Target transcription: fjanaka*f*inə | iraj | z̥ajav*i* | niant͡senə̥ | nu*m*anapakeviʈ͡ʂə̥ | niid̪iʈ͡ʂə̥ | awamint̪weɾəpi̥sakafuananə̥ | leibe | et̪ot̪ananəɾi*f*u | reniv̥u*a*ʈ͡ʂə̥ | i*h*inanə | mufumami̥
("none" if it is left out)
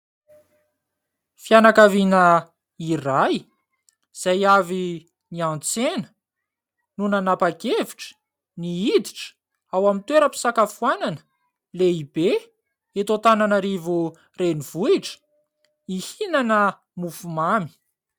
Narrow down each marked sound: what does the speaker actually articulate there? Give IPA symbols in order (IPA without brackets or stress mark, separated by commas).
v, i, n, v, i, h